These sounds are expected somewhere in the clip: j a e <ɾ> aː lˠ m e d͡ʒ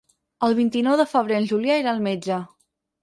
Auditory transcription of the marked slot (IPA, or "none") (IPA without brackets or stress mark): ɾ